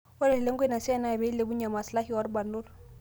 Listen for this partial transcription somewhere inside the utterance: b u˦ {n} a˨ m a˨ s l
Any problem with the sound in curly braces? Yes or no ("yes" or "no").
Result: yes